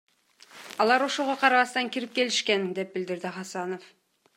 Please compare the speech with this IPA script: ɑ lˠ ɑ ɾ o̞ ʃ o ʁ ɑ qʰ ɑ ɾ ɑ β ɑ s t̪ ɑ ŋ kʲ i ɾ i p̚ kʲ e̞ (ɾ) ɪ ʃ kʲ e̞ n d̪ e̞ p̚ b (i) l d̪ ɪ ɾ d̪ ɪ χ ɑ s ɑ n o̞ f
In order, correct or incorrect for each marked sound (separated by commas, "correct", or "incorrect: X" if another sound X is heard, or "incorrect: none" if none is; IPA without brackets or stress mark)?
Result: incorrect: l, incorrect: ɪ